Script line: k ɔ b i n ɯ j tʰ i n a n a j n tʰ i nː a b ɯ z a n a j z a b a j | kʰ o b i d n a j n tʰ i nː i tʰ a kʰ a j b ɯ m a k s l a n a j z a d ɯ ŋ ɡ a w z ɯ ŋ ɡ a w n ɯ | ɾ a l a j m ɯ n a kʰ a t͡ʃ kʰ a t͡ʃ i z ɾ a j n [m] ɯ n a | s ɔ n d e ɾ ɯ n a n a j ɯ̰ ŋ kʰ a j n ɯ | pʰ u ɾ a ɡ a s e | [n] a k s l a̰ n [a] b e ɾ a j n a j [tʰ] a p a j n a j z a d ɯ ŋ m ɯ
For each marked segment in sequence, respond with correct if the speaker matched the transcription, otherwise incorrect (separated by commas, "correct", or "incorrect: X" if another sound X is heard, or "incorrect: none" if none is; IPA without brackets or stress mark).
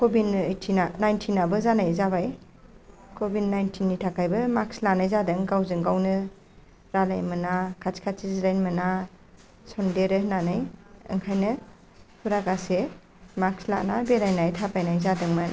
correct, incorrect: m, correct, correct